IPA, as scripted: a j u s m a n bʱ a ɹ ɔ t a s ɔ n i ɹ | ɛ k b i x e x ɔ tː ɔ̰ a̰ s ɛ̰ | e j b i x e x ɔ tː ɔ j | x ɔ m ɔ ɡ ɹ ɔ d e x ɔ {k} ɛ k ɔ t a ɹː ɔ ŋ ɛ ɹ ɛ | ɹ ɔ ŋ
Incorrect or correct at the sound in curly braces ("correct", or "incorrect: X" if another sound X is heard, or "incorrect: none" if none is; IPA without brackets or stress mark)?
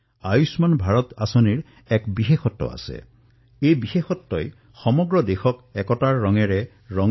correct